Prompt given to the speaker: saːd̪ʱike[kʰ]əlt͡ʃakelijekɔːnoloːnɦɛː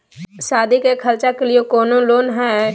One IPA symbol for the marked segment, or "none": kʰ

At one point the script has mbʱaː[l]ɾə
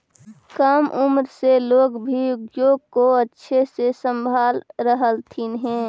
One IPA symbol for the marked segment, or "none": l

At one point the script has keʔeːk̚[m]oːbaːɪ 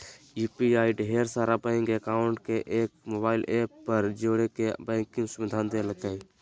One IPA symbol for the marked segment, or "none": m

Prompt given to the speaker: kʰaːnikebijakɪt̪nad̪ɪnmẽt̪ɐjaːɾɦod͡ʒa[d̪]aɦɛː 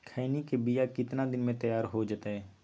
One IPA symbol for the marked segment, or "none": t̪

